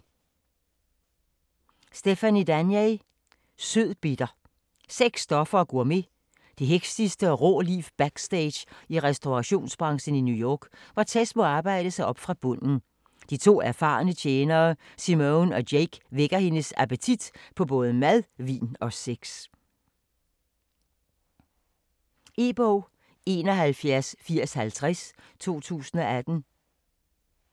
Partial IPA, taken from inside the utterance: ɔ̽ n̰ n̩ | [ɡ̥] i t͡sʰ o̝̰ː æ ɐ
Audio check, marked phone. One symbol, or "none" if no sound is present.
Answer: d̥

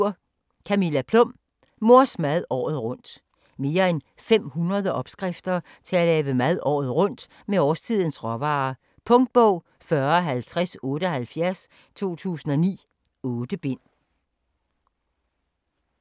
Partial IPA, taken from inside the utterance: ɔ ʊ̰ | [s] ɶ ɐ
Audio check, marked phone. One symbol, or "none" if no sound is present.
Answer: f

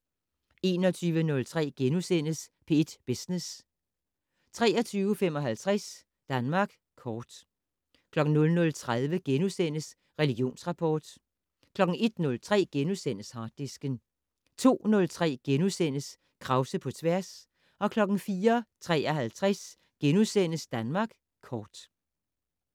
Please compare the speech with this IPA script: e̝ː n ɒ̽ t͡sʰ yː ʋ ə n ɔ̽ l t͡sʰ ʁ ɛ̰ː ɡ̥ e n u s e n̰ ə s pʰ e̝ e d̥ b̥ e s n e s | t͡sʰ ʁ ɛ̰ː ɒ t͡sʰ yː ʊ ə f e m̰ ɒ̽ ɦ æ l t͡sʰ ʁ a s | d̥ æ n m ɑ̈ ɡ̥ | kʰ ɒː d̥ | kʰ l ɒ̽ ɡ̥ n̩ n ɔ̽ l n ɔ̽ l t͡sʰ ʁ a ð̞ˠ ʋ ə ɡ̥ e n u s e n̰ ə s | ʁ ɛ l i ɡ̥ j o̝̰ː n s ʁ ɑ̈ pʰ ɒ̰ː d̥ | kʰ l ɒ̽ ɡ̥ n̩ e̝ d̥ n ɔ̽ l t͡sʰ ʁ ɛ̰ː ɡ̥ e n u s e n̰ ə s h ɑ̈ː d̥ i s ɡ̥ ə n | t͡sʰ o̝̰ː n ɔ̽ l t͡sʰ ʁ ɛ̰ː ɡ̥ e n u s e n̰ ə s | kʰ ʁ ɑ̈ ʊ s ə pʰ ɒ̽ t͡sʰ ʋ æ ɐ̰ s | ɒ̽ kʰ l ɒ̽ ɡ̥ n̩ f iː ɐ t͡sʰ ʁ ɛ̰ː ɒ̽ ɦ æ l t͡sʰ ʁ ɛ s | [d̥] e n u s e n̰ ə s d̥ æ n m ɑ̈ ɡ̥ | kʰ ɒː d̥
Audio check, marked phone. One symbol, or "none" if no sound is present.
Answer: ɡ̥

